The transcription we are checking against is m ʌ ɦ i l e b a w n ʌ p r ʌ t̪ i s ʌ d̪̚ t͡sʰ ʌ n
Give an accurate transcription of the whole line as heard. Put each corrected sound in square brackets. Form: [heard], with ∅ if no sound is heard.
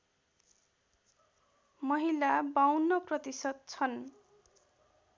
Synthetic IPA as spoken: m ʌ ɦ i l [a] b a w n ʌ p r ʌ t̪ i s ʌ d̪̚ t͡sʰ ʌ n